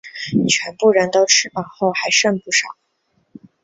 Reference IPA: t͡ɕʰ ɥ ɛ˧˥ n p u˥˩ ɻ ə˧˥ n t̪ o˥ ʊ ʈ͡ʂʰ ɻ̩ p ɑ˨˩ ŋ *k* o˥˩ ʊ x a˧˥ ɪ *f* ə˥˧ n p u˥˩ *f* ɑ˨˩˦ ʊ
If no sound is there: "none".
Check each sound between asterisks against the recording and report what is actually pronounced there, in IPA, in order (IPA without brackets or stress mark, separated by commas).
x, ʂ, ʂ